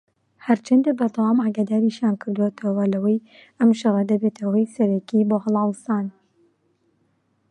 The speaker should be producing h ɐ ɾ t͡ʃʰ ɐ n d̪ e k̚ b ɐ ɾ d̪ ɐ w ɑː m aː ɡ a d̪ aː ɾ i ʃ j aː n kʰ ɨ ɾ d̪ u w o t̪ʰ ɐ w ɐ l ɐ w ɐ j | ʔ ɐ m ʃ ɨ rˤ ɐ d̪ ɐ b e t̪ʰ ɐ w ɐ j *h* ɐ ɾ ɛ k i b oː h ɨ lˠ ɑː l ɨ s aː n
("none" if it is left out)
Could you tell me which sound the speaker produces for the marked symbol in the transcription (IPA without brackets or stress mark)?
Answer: s